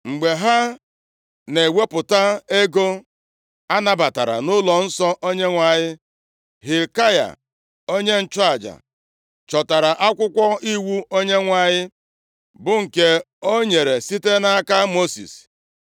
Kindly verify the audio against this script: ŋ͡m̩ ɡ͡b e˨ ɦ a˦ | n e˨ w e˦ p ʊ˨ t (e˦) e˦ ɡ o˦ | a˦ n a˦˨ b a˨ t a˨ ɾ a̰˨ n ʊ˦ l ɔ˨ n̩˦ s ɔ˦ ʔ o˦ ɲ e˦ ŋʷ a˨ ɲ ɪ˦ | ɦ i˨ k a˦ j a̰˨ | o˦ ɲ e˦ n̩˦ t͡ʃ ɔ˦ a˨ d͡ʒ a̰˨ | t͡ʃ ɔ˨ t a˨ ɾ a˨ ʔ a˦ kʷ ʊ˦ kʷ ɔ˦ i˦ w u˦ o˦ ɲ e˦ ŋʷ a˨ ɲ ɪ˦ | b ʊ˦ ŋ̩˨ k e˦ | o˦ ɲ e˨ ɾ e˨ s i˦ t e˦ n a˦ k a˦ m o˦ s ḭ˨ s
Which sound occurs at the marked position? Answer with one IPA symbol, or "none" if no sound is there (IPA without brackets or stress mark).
a˦